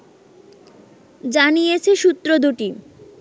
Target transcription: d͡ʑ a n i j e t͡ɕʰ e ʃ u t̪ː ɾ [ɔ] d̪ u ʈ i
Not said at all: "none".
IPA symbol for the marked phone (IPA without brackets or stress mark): o